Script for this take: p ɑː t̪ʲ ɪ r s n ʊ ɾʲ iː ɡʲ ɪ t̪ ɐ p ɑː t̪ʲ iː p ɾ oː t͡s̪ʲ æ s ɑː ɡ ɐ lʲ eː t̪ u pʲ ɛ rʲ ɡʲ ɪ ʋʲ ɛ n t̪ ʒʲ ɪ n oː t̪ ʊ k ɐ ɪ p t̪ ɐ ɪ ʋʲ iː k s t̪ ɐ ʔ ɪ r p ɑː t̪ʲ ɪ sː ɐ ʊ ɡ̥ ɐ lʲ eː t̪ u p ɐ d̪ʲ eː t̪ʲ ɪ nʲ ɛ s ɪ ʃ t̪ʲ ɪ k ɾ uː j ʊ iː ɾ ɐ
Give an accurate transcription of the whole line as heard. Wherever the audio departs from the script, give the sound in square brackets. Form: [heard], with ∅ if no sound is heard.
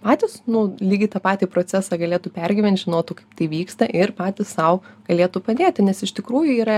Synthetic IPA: p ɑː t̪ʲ ɪ [∅] s n ʊ [lʲ] iː ɡʲ ɪ t̪ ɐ p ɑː t̪ʲ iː p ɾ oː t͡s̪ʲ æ s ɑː ɡ ɐ lʲ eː t̪ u pʲ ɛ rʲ ɡʲ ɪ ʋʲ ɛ n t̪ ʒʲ ɪ n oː t̪ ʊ k ɐ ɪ p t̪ ɐ ɪ ʋʲ iː k s t̪ ɐ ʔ ɪ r p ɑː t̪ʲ ɪ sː ɐ ʊ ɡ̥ ɐ lʲ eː t̪ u p ɐ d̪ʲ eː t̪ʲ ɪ nʲ ɛ s ɪ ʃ t̪ʲ ɪ k ɾ uː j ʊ iː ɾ ɐ

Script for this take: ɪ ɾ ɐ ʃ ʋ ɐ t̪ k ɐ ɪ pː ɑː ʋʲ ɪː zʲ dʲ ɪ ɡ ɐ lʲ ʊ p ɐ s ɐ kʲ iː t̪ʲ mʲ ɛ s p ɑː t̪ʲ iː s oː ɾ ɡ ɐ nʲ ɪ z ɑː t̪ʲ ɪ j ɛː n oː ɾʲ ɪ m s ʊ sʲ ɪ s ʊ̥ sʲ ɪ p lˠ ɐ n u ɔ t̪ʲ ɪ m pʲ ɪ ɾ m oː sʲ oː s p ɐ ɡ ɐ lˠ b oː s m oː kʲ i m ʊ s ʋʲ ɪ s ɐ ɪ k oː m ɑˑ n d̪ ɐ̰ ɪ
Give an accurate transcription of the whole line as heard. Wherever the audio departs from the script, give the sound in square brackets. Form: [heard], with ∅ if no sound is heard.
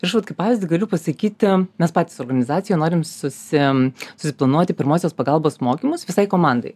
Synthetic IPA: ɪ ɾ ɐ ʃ ʋ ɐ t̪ k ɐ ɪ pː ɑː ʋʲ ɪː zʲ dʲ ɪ ɡ ɐ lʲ ʊ p ɐ s ɐ kʲ iː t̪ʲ mʲ ɛ s p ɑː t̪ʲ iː s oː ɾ ɡ ɐ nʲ ɪ z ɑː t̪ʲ ɪ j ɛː n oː ɾʲ ɪ m s ʊ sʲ ɪ s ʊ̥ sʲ ɪ p lˠ ɐ n u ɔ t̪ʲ ɪ [∅] pʲ ɪ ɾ m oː sʲ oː s p ɐ ɡ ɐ lˠ b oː s m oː kʲ i m ʊ s ʋʲ ɪ s ɐ ɪ k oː m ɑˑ n d̪ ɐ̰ ɪ

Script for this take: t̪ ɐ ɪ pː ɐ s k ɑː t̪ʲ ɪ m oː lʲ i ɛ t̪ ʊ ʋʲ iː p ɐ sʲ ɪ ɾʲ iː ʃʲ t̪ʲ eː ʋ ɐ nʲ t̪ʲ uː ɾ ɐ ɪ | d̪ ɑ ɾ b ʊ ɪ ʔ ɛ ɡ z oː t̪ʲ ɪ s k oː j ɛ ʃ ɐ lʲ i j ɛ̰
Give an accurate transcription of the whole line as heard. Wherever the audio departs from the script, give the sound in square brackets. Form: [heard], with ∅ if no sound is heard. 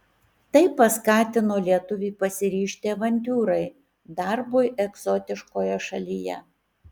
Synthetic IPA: t̪ ɐ ɪ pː ɐ s k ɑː t̪ʲ ɪ [n] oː lʲ i ɛ t̪ ʊ ʋʲ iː p ɐ sʲ ɪ ɾʲ iː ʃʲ t̪ʲ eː ʋ ɐ nʲ t̪ʲ uː ɾ ɐ ɪ | d̪ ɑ ɾ b ʊ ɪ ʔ ɛ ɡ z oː t̪ʲ ɪ [ʃ] k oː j ɛ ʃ ɐ lʲ i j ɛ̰

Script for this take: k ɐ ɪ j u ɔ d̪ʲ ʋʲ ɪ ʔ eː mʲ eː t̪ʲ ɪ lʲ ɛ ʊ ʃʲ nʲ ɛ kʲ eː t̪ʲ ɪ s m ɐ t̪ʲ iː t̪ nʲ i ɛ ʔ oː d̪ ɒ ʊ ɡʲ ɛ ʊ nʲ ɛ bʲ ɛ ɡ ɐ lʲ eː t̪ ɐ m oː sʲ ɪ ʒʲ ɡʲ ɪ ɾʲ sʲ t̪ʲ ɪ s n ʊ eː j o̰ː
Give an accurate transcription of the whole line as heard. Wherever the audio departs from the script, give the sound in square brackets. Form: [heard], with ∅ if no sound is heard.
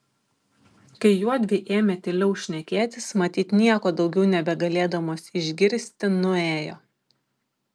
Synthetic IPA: k ɐ ɪ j u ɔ d̪ʲ ʋʲ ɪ ʔ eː mʲ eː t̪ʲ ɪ lʲ ɛ ʊ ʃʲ nʲ ɛ kʲ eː t̪ʲ ɪ s m ɐ t̪ʲ iː t̪ nʲ i ɛ [k] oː d̪ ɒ ʊ ɡʲ ɛ ʊ nʲ ɛ bʲ ɛ ɡ ɐ lʲ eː [d̪] ɐ m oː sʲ ɪ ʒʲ ɡʲ ɪ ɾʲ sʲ t̪ʲ ɪ [∅] n ʊ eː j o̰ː

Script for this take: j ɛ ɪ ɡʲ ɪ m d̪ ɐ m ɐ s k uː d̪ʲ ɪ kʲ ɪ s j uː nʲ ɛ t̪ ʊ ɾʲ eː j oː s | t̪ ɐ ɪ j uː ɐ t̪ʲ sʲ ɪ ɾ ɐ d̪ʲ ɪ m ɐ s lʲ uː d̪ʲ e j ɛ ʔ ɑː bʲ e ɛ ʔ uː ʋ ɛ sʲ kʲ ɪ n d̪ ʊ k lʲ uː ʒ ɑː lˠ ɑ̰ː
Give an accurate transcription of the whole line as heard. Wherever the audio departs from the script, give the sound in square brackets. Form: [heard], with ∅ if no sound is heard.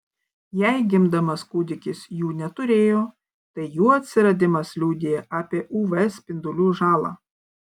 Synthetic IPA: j ɛ ɪ ɡʲ ɪ m d̪ ɐ m ɐ s k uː d̪ʲ ɪ kʲ ɪ s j uː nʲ ɛ t̪ ʊ ɾʲ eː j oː [∅] | t̪ ɐ ɪ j uː ɐ t̪ʲ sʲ ɪ ɾ ɐ d̪ʲ ɪ m ɐ s lʲ uː d̪ʲ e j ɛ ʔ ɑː [pʲ] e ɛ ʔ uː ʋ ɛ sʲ [pʲ] ɪ n d̪ ʊ [∅] lʲ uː ʒ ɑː lˠ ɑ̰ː

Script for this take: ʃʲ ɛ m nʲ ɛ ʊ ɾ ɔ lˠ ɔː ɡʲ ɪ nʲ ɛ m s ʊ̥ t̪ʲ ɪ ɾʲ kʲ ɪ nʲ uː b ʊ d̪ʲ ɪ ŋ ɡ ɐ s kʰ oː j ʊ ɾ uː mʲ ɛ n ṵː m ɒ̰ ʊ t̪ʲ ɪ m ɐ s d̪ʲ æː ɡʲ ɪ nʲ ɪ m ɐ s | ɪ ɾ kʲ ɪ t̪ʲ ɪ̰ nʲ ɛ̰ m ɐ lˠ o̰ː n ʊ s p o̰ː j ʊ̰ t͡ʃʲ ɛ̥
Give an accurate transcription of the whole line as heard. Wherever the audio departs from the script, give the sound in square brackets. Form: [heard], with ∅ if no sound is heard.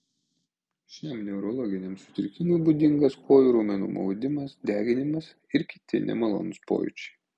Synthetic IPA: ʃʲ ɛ m nʲ ɛ ʊ ɾ ɔ lˠ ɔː ɡʲ ɪ nʲ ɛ m s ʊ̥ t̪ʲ ɪ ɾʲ kʲ ɪ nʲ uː b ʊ d̪ʲ ɪ ŋ ɡ ɐ s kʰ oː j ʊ ɾ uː mʲ ɛ n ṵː m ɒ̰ ʊ [d̪ʲ] ɪ m ɐ s d̪ʲ æː ɡʲ ɪ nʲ ɪ m ɐ s | ɪ ɾ kʲ ɪ t̪ʲ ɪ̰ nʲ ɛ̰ m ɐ lˠ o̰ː n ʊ s p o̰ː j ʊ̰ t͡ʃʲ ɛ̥

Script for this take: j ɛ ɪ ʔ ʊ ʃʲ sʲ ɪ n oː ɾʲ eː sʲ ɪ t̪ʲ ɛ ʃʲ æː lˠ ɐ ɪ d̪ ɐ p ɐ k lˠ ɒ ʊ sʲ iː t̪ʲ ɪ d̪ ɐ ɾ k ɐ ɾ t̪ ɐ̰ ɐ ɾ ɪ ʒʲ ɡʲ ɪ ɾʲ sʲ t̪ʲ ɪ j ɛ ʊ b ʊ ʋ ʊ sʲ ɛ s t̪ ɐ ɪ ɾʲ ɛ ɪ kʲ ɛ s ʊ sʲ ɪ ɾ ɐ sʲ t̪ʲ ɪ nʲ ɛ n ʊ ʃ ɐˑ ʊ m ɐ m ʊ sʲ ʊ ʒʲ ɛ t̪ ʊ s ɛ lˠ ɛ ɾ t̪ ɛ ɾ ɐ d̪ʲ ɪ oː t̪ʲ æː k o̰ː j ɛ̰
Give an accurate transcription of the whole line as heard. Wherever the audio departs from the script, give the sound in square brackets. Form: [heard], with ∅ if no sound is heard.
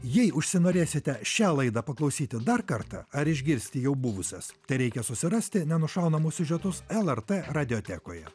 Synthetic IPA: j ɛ ɪ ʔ ʊ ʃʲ sʲ ɪ n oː ɾʲ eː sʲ ɪ t̪ʲ ɛ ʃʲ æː lˠ ɐ ɪ d̪ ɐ p ɐ k lˠ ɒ ʊ sʲ iː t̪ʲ ɪ d̪ ɐ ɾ k ɐ ɾ t̪ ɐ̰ ɐ ɾ ɪ ʒʲ ɡʲ ɪ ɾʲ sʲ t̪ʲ ɪ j ɛ ʊ b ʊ ʋ ʊ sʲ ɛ s t̪ ɐ ɪ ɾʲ ɛ ɪ kʲ ɛ s ʊ sʲ ɪ ɾ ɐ sʲ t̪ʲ ɪ nʲ ɛ n ʊ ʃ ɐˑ ʊ [n] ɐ m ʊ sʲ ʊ ʒʲ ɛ t̪ ʊ s ɛ lˠ ɛ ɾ t̪ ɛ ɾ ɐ d̪ʲ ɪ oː t̪ʲ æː k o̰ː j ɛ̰

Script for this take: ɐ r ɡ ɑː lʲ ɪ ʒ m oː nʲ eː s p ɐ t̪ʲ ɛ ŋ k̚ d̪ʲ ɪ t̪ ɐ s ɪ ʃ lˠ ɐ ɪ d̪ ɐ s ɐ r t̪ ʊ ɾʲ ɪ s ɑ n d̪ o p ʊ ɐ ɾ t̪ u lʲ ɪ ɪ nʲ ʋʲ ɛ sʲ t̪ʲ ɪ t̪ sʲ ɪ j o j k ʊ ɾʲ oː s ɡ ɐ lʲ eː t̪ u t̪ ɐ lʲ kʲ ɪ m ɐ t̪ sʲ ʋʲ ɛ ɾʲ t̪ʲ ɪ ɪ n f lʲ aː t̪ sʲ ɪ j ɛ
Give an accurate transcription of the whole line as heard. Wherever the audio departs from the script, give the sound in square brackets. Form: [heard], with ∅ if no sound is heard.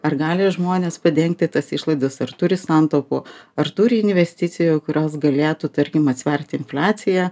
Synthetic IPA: ɐ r ɡ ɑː lʲ ɪ ʒ m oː nʲ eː s p ɐ [d̪ʲ] ɛ ŋ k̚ [t̪ʲ] ɪ t̪ ɐ s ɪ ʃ lˠ ɐ ɪ d̪ ɐ s ɐ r t̪ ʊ ɾʲ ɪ s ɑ n [t̪] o p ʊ ɐ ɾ t̪ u [ɾʲ] ɪ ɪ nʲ ʋʲ ɛ sʲ t̪ʲ ɪ t̪ sʲ ɪ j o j k ʊ ɾʲ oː s ɡ ɐ lʲ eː t̪ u t̪ ɐ [ɾʲ] kʲ ɪ m ɐ t̪ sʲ ʋʲ ɛ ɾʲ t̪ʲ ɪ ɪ n f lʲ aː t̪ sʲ ɪ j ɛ

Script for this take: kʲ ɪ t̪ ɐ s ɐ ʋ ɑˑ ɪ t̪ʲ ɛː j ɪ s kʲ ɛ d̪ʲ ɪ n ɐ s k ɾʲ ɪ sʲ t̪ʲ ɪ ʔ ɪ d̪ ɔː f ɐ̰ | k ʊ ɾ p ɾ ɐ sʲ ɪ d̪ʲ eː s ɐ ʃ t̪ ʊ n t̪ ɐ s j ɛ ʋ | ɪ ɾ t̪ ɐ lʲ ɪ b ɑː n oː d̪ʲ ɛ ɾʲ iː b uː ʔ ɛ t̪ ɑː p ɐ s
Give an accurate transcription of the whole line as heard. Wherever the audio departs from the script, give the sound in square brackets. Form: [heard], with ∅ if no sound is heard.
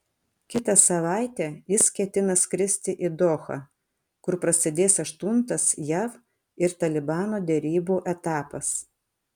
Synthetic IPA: kʲ ɪ t̪ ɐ s ɐ ʋ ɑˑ ɪ t̪ʲ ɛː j ɪ s kʲ ɛ [t̪ʲ] ɪ n ɐ s k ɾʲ ɪ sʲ t̪ʲ ɪ ʔ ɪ d̪ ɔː [x] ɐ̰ | k ʊ ɾ p ɾ ɐ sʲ ɪ d̪ʲ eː s ɐ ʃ t̪ ʊ n t̪ ɐ s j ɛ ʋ | ɪ ɾ t̪ ɐ lʲ ɪ b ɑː n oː d̪ʲ ɛ ɾʲ iː b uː ʔ ɛ t̪ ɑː p ɐ s

